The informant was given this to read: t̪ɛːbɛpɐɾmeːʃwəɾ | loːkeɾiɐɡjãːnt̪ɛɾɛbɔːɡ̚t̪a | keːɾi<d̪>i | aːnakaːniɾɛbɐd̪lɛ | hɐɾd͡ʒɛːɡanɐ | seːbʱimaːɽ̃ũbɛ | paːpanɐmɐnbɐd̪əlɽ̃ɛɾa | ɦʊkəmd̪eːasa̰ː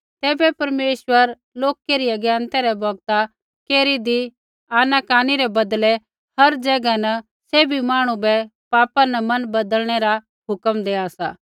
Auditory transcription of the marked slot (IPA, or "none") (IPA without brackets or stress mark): d̪